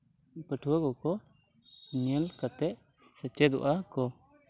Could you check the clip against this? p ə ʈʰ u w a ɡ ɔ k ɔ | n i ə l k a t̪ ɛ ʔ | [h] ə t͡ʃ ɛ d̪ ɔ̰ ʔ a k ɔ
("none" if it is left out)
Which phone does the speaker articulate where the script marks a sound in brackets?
s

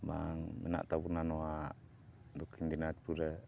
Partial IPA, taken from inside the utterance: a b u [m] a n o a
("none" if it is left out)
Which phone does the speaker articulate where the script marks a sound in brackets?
n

